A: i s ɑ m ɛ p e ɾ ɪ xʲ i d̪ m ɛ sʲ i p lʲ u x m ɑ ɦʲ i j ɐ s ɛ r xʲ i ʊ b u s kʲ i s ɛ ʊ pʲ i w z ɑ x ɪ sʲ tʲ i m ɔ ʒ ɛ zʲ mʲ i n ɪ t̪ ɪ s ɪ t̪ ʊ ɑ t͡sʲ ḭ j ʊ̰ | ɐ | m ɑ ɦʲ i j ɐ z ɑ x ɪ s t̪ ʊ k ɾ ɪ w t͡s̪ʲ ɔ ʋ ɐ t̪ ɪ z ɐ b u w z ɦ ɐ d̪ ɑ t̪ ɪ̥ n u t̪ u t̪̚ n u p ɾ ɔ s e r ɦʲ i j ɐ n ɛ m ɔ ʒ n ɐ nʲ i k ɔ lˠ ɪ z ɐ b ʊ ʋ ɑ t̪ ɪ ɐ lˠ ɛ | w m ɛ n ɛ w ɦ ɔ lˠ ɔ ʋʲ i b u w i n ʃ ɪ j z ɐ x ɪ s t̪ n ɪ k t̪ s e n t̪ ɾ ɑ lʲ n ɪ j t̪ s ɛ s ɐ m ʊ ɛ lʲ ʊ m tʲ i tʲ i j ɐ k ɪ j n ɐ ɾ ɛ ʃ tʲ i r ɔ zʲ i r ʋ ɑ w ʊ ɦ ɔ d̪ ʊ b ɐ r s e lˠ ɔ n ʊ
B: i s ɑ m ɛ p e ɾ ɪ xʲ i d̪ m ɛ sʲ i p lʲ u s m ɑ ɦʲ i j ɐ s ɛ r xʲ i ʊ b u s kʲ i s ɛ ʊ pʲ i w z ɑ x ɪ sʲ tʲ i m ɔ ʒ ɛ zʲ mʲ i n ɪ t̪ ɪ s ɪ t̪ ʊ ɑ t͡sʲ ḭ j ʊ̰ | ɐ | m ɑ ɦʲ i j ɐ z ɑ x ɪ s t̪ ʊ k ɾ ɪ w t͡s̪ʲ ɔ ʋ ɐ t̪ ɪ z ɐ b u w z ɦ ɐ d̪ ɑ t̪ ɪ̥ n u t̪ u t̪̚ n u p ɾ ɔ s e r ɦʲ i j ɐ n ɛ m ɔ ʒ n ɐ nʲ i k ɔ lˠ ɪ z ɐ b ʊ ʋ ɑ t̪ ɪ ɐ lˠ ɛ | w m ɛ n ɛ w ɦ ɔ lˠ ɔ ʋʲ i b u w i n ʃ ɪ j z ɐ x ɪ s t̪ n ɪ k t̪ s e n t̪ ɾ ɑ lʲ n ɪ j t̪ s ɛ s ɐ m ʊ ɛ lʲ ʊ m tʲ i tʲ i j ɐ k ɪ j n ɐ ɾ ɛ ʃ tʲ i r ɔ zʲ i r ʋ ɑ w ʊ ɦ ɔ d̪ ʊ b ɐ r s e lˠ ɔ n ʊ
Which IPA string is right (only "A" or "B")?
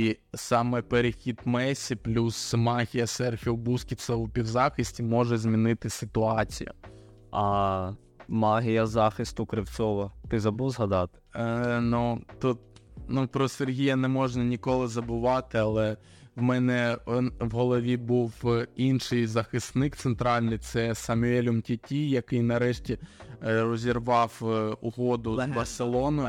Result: B